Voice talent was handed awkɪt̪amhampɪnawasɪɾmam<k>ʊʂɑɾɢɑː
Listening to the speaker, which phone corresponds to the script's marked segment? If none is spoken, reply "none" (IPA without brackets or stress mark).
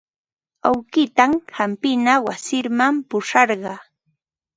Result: p